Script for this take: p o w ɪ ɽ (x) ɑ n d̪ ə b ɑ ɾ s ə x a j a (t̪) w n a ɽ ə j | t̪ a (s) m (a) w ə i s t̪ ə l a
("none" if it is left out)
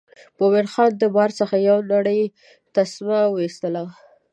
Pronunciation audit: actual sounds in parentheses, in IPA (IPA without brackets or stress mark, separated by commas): x, none, s, a